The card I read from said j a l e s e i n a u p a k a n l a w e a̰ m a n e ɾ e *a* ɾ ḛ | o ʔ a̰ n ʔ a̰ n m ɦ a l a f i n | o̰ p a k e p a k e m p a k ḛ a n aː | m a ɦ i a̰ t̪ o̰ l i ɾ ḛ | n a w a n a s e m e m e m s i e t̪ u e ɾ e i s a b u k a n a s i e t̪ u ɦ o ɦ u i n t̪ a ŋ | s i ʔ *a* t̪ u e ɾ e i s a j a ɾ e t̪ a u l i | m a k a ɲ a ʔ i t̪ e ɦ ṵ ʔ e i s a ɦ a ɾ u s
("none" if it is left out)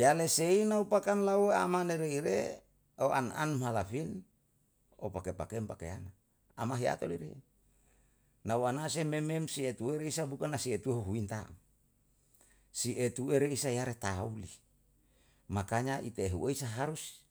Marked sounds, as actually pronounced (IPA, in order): i, e

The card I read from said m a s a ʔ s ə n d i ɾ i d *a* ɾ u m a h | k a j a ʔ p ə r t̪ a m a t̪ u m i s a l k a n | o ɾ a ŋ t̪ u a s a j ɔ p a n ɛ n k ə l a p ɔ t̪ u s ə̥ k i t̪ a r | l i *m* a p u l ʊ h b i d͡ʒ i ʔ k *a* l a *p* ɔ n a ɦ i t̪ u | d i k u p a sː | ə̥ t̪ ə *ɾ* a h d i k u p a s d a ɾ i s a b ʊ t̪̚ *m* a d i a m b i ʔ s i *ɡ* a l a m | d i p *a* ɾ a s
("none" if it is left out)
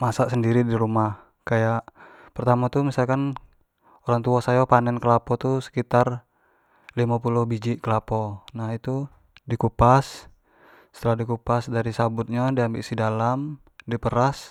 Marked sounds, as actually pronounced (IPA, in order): i, m, ə, p, l, ɲ, d, ə

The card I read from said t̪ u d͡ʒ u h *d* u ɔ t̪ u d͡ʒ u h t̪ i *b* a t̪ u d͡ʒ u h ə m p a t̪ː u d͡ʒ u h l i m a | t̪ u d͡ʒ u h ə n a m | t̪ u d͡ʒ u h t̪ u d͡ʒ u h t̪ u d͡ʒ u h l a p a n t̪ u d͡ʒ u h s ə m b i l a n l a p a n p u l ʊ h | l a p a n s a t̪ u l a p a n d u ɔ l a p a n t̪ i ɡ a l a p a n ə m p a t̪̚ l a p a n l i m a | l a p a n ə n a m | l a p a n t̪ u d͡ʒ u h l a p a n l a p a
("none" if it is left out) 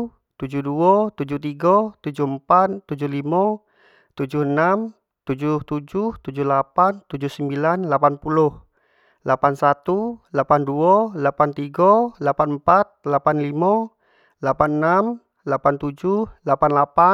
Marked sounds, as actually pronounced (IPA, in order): d, ɡ

